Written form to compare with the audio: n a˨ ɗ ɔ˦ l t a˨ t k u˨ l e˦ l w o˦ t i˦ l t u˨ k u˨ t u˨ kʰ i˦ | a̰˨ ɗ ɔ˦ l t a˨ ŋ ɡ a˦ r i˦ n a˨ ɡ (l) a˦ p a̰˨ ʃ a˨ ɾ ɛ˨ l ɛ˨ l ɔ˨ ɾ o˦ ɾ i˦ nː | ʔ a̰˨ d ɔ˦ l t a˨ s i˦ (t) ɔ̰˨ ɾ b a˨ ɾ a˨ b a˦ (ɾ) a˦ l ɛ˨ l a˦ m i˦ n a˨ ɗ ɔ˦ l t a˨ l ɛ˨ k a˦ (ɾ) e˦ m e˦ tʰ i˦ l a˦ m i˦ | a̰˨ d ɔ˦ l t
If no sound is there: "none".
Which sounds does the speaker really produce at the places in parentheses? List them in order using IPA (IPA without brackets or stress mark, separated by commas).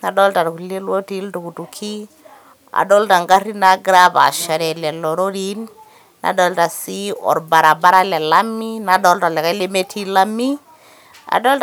ɾ, none, ɾ, l